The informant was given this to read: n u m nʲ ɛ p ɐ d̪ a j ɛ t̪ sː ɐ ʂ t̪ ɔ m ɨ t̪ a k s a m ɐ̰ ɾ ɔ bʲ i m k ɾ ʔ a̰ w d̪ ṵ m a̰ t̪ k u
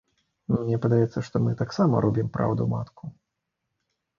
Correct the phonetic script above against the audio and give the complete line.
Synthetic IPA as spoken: n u m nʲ ɛ p ɐ d̪ a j ɛ t̪ sː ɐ ʂ t̪ ɔ m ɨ t̪ a k s a m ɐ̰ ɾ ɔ bʲ i m p ɾ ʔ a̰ w d̪ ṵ m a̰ t̪ k u

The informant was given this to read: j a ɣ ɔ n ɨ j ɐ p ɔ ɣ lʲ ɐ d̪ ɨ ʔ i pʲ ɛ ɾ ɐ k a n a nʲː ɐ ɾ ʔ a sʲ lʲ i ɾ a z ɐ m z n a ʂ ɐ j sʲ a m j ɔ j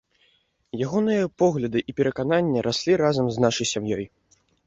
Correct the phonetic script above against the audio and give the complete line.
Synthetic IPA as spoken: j a ɣ ɔ n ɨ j ɐ p ɔ ɣ lʲ ɐ d̪ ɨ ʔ i pʲ ɛ ɾ ɐ k a n a nʲː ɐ ɾ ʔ a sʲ lʲ i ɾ a z ɐ m z n a ʂ ɐ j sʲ a m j ɔ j

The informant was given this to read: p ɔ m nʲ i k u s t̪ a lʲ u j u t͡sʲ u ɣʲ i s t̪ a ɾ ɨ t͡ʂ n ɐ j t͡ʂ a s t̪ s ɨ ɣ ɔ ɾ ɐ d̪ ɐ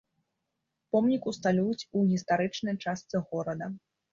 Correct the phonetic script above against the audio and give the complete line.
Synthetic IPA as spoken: p ɔ m nʲ i k u s t̪ a lʲ u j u t͡sʲ u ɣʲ i s t̪ a ɾ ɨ t͡ʂ n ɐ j t͡ʂ a s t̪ s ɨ ɣ ɔ ɾ ɐ d̪ ɐ

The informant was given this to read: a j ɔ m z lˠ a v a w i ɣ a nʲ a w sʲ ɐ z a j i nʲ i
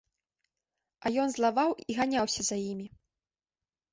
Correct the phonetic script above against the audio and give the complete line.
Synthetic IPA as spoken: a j ɔ n z lˠ a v a w i ɣ a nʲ a w sʲ ɐ z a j i mʲ i

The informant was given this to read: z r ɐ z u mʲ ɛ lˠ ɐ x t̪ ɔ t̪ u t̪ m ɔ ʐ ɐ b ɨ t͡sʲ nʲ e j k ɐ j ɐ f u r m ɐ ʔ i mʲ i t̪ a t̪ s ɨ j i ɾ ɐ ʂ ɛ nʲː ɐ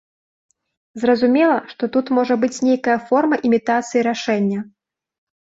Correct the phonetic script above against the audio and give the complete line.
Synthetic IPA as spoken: z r ɐ z u mʲ ɛ lˠ ɐ ʂ t̪ ɔ t̪ u t̪ m ɔ ʐ ɐ b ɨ t͡sʲ nʲ e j k ɐ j ɐ f ɔ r m ɐ ʔ i mʲ i t̪ a t̪ s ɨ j i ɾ a ʂ ɛ nʲː ɐ

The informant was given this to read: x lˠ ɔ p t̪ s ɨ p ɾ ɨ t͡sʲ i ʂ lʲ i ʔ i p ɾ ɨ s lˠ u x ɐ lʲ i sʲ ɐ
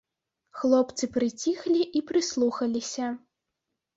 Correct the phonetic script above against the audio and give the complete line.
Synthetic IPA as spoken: x lˠ ɔ p t̪ s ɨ p ɾ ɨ t͡sʲ i x lʲ i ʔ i p ɾ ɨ s lˠ u x ɐ lʲ i sʲ ɐ

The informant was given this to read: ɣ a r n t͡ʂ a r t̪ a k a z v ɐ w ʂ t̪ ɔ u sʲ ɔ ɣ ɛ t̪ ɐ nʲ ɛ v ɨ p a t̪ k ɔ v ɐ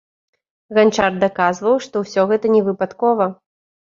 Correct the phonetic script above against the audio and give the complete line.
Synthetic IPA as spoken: ɣ a n t͡ʂ a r d̪ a k a z v ɐ w ʂ t̪ ɔ w sʲ ɔ ɣ ɛ t̪ ɐ nʲ ɛ v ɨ p a t̪ k ɔ v ɐ

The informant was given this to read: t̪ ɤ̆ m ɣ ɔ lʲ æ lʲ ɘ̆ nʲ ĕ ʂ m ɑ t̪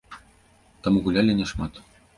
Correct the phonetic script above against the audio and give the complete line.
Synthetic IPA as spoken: t̪ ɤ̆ m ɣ u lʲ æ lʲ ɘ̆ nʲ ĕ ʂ m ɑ t̪

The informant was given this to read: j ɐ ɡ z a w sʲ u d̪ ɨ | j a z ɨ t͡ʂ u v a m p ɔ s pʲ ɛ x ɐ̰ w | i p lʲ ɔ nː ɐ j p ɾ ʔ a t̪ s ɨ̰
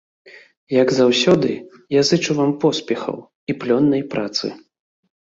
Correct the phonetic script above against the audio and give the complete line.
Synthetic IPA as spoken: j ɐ ɡ z a w sʲ ɔ d̪ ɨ | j a z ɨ t͡ʂ u v a m p ɔ s pʲ ɛ x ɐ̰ w | i p lʲ ɔ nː ɐ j p ɾ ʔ a t̪ s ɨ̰

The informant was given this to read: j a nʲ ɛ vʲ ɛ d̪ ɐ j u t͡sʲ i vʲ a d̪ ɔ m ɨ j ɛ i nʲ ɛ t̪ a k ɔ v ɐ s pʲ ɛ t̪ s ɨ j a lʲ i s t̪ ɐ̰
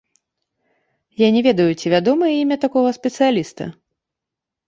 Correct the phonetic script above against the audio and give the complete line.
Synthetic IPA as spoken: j a nʲ ɛ vʲ ɛ d̪ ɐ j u t͡sʲ i vʲ a d̪ ɔ m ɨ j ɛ i mʲ ɛ t̪ a k ɔ ɣ ɐ s pʲ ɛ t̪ s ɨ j a lʲ i s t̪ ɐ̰

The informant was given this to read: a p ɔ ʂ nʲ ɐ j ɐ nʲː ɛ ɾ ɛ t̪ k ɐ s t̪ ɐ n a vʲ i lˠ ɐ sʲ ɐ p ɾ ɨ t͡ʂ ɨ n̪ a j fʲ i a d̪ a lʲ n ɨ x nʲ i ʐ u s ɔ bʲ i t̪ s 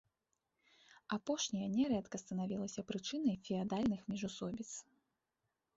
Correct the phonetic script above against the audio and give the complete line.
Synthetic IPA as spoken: a p ɔ ʂ nʲ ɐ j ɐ nʲ ɛ ɾ ɛ t̪ k ɐ s t̪ ɐ n a vʲ i lˠ ɐ sʲ ɐ p ɾ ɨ t͡ʂ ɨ n̪ ɐ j fʲ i a d̪ a lʲ n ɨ x mʲ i ʐ u s ɔ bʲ i t̪ s

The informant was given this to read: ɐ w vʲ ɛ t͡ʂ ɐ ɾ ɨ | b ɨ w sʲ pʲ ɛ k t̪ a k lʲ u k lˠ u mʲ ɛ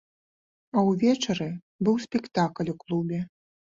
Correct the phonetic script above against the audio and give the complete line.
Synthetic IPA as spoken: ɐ w vʲ ɛ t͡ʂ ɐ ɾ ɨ | b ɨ w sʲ pʲ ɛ k t̪ a k lʲ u k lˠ u bʲ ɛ

